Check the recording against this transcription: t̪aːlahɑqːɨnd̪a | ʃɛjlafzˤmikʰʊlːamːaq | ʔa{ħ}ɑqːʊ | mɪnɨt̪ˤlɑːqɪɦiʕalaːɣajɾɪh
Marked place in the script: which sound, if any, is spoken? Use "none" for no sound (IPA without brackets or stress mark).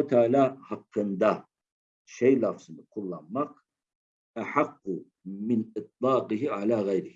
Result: ħ